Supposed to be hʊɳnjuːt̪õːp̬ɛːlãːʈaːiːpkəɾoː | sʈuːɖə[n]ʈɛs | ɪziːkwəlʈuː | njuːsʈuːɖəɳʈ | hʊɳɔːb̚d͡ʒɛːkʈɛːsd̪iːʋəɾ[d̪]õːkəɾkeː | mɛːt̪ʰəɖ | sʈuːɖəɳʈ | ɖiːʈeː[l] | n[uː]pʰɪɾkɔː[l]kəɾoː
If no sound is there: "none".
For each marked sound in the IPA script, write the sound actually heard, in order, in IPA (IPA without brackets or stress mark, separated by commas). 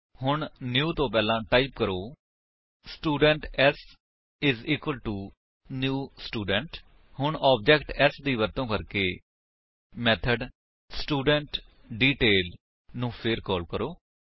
ɳ, t̪, l, ũː, l